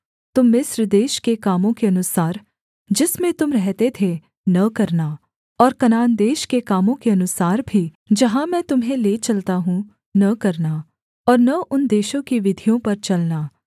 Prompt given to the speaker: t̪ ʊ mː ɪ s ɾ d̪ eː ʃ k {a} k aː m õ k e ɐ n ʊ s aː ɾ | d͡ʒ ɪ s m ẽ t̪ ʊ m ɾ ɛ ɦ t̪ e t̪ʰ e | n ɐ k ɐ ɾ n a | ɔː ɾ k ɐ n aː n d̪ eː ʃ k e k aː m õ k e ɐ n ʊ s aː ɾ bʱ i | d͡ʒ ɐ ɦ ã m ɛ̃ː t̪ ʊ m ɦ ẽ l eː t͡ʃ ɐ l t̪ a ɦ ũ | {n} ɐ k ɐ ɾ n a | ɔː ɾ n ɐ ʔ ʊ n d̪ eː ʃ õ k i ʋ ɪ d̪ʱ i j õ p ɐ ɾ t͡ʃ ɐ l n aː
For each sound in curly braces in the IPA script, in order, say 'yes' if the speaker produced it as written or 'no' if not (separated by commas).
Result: no, yes